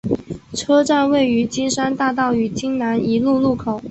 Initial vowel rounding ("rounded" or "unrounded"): unrounded